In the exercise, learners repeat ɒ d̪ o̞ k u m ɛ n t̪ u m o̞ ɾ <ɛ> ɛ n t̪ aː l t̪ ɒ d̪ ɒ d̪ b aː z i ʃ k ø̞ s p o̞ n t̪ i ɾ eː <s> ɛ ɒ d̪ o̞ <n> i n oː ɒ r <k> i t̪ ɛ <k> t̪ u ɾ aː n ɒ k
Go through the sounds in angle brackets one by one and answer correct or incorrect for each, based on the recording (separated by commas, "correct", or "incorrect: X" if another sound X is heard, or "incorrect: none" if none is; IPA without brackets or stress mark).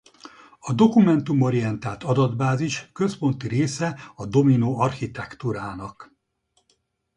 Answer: incorrect: i, correct, incorrect: m, incorrect: x, correct